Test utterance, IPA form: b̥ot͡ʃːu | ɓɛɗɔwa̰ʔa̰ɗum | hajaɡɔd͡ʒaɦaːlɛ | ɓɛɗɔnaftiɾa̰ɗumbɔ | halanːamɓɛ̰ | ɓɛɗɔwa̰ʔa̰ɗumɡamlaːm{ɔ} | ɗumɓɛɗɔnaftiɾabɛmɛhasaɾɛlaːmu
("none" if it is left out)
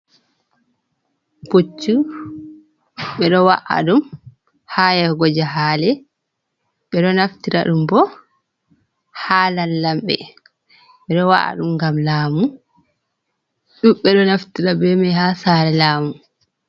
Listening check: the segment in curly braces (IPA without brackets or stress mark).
u